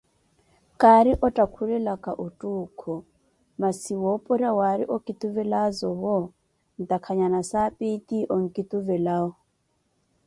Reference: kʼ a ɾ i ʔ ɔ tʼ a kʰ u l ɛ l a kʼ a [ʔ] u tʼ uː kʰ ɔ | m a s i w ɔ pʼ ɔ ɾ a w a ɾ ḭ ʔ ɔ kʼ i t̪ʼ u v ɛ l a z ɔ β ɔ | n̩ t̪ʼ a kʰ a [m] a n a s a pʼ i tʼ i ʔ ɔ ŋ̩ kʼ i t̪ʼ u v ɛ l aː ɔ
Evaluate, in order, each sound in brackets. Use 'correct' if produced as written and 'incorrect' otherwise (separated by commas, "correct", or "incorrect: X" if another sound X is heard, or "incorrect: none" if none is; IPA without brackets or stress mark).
correct, incorrect: ɲ